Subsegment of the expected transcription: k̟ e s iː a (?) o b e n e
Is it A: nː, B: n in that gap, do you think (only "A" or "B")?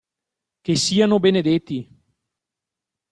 B